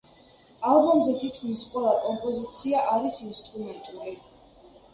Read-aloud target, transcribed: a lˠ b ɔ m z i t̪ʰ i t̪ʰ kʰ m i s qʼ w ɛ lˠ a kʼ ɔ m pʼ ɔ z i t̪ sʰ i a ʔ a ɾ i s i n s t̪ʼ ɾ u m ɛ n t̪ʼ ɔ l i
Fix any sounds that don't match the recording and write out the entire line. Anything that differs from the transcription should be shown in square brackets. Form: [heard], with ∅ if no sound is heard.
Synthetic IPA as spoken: a lˠ b ɔ m z [ɛ] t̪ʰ i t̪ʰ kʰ m i s qʼ w ɛ lˠ a kʼ ɔ m pʼ ɔ z i t̪ sʰ i a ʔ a ɾ i s i n s t̪ʼ ɾ u m ɛ n t̪ʼ [u] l i